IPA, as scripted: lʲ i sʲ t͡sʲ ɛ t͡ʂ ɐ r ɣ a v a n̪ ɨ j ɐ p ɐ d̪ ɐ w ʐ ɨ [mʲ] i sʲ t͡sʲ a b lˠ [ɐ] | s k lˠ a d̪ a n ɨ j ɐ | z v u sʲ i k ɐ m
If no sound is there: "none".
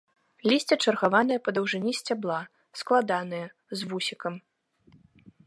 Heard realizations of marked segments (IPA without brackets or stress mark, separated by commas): nʲ, a